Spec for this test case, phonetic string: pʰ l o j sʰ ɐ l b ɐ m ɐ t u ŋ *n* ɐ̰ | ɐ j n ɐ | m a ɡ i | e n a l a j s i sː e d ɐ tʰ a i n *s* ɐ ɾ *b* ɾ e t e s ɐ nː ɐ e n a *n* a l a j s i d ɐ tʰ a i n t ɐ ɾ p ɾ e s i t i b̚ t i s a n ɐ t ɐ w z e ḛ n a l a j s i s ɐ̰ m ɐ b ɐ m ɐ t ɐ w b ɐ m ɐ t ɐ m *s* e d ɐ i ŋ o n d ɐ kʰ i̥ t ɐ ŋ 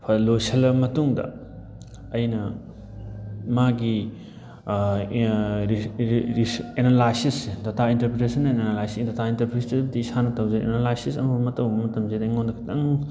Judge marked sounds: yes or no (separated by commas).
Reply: no, no, no, yes, no